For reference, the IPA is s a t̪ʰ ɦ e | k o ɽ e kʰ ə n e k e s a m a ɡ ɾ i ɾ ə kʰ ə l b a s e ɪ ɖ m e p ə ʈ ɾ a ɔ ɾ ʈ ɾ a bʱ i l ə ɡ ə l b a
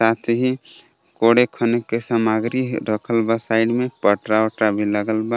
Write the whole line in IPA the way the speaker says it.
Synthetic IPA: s a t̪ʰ ɦ i | k o ɽ e kʰ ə n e k e s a m a ɡ ɾ i ɾ ə kʰ ə l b a s a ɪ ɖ m e p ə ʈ ɾ a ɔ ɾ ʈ ɾ a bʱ i l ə ɡ ə l b a